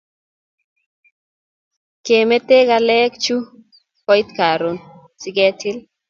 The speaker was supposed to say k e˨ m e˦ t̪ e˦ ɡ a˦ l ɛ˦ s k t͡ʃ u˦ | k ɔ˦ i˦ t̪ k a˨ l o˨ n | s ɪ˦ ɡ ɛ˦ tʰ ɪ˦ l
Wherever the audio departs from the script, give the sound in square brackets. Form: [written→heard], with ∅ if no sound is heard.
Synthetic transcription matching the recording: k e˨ m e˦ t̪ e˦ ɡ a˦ l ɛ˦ [s→∅] k t͡ʃ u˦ | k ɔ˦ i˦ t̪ k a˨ [l→ɾ] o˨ n | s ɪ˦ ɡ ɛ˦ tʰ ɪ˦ l